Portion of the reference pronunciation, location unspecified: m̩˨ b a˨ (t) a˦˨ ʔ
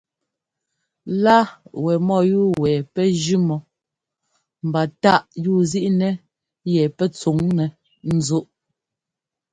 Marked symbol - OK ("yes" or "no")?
yes